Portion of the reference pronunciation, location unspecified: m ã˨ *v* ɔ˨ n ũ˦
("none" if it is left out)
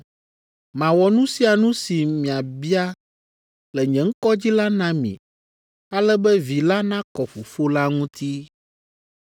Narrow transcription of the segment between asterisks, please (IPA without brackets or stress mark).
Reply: w